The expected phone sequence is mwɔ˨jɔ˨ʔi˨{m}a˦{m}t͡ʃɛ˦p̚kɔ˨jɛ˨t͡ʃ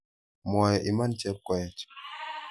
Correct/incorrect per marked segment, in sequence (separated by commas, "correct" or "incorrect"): correct, incorrect